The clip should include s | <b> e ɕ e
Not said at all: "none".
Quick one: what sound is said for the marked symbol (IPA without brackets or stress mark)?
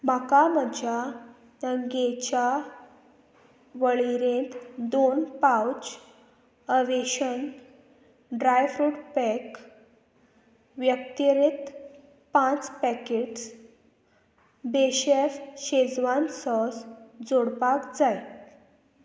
b